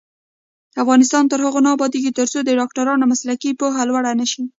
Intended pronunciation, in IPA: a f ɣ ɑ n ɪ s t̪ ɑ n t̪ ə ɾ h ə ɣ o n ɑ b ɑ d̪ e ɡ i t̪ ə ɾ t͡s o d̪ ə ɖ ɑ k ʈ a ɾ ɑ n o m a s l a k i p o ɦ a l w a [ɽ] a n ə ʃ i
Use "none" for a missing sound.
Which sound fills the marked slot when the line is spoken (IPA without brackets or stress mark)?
ɽ